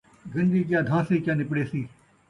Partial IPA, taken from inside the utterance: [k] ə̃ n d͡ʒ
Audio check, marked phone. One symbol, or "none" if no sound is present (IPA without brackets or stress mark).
ɡ